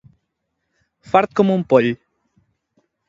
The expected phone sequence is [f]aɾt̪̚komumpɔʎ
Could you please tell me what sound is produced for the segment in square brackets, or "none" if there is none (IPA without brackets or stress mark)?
f